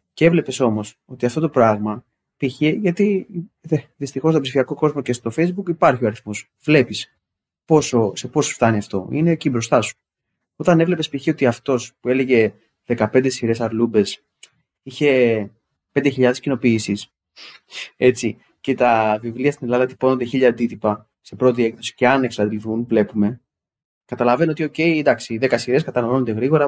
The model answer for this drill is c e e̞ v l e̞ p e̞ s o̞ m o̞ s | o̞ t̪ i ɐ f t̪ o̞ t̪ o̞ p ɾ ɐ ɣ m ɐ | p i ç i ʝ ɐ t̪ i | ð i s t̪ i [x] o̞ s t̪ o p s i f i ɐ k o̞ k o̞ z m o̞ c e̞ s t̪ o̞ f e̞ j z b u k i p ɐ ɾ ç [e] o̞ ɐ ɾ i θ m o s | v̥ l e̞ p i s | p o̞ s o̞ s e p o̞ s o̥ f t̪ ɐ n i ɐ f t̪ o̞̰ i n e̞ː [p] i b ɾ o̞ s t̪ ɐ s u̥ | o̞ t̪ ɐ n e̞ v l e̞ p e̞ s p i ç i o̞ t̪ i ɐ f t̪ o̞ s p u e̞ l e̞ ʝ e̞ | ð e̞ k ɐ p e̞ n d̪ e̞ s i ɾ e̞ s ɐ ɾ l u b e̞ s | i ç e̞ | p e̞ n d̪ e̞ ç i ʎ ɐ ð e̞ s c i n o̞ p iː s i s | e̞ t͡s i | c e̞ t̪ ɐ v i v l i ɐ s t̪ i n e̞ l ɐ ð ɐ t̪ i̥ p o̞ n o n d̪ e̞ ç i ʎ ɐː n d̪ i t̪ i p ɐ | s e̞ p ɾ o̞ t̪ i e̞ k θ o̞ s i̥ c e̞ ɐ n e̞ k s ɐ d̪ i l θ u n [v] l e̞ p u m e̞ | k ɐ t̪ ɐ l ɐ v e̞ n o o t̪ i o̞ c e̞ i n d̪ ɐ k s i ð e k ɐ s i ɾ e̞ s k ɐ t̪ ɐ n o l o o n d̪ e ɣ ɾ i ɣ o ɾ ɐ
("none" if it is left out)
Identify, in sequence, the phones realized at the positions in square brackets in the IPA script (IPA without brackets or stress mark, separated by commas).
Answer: x, i, c, v